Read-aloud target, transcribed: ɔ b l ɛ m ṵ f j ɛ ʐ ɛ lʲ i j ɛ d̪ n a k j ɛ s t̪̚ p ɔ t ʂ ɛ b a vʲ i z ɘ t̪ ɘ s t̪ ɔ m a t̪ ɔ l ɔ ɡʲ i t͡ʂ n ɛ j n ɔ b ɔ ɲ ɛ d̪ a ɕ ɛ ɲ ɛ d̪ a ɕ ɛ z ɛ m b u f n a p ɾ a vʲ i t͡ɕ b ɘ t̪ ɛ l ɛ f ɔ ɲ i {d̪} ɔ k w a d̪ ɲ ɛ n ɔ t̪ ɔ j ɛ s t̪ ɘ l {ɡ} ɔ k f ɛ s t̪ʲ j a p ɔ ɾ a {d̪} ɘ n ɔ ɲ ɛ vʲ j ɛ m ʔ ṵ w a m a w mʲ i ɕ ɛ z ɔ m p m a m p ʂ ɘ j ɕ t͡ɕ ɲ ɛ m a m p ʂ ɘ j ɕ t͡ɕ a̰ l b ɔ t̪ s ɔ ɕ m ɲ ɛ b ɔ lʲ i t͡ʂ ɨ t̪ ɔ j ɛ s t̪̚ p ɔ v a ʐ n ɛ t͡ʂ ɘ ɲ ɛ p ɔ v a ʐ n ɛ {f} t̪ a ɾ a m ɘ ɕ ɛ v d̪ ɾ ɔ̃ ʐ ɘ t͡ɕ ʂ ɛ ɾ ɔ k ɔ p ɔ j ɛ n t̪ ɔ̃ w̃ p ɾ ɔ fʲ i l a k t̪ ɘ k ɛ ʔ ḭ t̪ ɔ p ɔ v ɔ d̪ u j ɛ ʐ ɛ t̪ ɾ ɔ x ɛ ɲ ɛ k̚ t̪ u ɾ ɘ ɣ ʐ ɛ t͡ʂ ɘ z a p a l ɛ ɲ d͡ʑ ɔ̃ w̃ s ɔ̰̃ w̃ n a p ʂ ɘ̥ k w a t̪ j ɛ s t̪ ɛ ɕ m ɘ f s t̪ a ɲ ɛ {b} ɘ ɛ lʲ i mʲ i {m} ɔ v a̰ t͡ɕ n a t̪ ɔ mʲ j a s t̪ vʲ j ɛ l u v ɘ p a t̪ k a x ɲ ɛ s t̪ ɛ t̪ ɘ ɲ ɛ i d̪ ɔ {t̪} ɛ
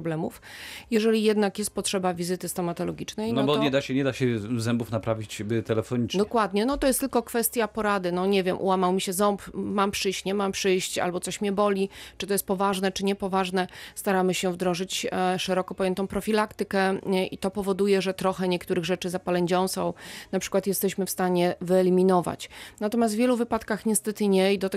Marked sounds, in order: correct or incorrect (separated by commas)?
correct, incorrect, correct, incorrect, incorrect, incorrect, correct